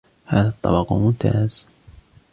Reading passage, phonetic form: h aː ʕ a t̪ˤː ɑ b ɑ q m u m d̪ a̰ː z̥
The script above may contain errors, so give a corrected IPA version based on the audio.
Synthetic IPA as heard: h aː ð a t̪ˤː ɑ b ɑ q m ʊ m t̪ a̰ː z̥